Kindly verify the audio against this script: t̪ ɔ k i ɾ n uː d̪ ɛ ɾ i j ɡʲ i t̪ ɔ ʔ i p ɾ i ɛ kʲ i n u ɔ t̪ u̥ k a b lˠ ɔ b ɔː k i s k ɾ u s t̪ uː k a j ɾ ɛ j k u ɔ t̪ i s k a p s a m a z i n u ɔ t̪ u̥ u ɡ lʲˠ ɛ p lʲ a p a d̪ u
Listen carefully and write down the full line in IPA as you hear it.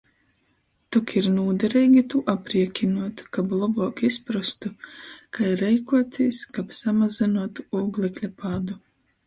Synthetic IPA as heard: t̪ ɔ k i ɾ n uː d̪ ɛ ɾ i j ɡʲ i t̪ u ʔ a p ɾ i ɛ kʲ i n u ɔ t̪ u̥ k a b lˠ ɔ b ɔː k i s p ɾ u s t̪ u k a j ɾ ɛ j k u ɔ t̪ i s k a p s a m a z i n u ɔ t̪ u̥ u ɡ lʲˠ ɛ k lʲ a p a d̪ u